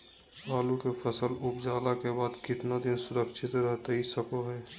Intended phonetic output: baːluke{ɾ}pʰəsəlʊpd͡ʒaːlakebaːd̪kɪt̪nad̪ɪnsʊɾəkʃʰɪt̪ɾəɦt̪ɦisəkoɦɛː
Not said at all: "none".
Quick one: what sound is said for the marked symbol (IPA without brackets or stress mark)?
none